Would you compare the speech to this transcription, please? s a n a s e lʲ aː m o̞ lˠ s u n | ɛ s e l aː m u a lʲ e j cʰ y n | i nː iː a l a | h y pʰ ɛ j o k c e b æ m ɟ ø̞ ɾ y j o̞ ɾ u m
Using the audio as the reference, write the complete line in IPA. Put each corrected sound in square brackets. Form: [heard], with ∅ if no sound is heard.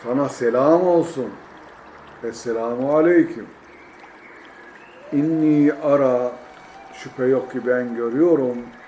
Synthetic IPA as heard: s a n a s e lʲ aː m o̞ lˠ s u n | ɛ s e l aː m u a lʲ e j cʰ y [m] | i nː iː a [ɾ] a | [ʃ] y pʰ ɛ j o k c [i] b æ [n] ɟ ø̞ ɾ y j o̞ ɾ u m

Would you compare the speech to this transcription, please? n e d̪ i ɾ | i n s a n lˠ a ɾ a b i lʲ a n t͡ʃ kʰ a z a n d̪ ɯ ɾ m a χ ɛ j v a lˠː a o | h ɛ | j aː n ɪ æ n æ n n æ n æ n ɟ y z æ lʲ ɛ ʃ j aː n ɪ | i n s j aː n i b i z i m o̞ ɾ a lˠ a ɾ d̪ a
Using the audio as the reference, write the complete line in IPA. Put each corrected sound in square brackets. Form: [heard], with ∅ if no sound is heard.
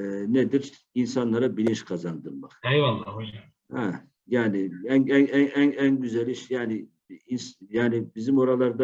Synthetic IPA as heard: n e d̪ i ɾ | i n s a n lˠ a ɾ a b i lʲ [i] n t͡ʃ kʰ a z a n d̪ ɯ ɾ m a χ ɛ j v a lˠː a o | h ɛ | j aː n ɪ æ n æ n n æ n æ n ɟ y z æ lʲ [i] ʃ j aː n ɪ | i n s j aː n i b i z i m o̞ ɾ a lˠ a ɾ d̪ a

